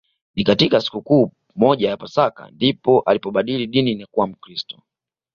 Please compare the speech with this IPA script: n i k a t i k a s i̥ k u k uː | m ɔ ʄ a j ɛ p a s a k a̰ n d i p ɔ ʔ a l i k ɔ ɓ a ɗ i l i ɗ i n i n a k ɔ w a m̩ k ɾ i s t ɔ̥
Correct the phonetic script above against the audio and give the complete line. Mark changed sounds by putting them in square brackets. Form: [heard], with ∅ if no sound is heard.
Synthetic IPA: n i k a t i k a s i̥ k u k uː | m ɔ ʄ a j [a] p a s a k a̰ n d i p ɔ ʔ a l i [p] ɔ ɓ a ɗ i l i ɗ i n i n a k [u] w a m̩ k ɾ i s t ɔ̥